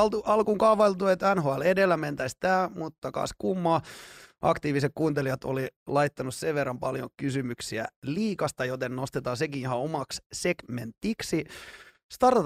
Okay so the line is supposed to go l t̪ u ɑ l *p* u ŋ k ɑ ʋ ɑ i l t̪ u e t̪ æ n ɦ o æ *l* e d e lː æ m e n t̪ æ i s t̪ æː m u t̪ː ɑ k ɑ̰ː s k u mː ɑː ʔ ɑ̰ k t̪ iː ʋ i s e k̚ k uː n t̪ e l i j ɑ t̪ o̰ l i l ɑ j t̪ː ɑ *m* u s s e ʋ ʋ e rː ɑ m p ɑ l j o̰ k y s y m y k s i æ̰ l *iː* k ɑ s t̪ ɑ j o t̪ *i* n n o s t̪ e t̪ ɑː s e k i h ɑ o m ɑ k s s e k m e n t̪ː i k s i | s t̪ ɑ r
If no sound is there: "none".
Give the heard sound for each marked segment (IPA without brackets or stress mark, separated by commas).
k, l, n, iː, e